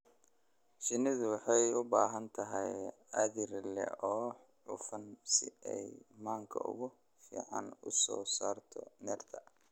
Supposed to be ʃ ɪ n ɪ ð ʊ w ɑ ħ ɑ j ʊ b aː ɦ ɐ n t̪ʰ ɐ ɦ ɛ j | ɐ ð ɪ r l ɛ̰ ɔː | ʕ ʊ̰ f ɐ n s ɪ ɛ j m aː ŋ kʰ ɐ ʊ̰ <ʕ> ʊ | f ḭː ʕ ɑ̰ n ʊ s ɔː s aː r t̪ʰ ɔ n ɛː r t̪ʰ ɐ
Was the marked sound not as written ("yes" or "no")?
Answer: yes